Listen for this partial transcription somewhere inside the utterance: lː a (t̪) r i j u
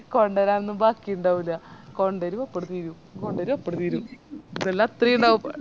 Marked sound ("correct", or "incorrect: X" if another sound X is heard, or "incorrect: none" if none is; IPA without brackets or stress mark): correct